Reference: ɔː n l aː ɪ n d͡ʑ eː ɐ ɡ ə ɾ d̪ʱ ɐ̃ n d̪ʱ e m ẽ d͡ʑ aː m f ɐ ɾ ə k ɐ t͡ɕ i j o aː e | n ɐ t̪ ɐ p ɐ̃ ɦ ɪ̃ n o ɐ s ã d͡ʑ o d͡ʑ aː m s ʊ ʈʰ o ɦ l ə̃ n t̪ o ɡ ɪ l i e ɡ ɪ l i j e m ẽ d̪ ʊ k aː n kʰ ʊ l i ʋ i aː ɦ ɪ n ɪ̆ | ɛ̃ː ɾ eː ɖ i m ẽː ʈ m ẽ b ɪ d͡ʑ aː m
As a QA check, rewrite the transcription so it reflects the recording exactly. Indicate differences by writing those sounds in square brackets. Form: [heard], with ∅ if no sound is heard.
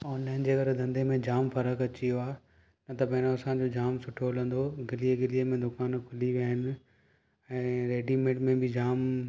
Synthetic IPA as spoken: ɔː n l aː ɪ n d͡ʑ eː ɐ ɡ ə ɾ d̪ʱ ɐ̃ n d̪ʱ e m ẽ d͡ʑ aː m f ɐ ɾ ə k ɐ t͡ɕ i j o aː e | n ɐ t̪ ɐ p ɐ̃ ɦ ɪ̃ n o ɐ s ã d͡ʑ o d͡ʑ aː m s ʊ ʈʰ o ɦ l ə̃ n [d̪] o ɡ ɪ l i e ɡ ɪ l i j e m ẽ d̪ ʊ k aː n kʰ ʊ l i ʋ i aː ɦ ɪ n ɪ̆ | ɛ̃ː ɾ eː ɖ i m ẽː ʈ m ẽ b ɪ d͡ʑ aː m